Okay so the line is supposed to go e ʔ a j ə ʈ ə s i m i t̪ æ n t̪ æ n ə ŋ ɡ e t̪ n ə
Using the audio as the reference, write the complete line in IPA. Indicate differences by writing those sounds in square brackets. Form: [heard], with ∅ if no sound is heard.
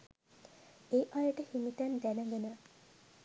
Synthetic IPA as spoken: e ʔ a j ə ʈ ə [h] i m i t̪ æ n [d̪] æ n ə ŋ ɡ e [∅] n ə